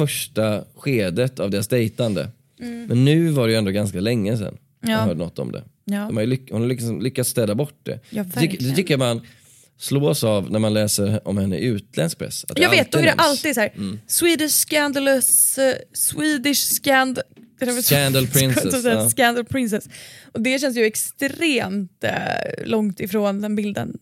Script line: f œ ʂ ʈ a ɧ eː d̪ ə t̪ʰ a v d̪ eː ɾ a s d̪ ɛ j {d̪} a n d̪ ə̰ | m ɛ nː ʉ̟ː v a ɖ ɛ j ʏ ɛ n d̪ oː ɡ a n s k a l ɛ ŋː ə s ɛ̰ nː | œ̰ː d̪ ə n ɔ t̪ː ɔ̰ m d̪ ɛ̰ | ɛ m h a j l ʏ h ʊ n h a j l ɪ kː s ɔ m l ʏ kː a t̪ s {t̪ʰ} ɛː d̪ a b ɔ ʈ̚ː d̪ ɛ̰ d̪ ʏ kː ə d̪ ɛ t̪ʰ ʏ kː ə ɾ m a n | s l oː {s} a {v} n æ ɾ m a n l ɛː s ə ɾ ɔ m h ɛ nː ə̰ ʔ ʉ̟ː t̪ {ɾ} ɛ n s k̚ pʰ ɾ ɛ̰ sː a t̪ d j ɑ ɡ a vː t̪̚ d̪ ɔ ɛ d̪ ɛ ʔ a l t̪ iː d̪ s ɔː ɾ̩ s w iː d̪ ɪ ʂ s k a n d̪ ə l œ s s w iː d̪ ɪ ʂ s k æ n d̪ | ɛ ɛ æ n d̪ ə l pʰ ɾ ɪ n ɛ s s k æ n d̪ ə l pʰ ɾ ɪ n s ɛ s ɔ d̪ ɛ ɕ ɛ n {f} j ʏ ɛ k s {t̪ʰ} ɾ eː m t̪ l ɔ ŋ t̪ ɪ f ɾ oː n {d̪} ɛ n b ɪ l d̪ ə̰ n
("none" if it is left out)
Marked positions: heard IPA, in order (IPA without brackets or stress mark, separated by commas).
t̪, t̪, s, v, l, s, t̪, d̪